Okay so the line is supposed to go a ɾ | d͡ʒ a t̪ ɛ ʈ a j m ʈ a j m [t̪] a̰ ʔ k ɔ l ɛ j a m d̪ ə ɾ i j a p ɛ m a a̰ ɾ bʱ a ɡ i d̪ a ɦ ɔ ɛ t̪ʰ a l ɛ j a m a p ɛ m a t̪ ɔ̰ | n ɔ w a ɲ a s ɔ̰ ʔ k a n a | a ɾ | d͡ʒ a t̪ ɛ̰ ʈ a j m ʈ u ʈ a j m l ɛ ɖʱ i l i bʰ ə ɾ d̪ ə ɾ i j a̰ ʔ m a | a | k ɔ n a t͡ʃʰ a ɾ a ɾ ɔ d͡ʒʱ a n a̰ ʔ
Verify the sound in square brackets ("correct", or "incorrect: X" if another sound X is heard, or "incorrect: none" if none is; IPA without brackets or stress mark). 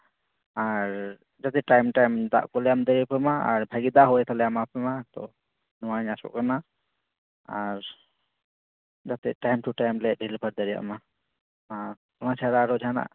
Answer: incorrect: d̪